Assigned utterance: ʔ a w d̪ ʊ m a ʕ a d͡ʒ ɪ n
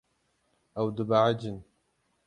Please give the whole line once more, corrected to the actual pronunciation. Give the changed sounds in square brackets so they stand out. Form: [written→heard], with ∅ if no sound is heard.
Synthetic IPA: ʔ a w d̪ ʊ [m→b] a ʕ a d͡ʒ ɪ n